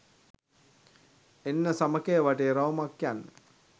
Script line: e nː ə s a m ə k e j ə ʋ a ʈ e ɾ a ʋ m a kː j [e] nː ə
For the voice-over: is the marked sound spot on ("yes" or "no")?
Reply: no